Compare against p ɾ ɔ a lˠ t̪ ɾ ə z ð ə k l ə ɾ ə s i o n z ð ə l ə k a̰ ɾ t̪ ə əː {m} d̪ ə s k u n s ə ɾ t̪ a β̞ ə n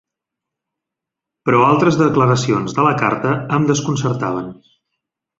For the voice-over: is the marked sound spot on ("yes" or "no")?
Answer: yes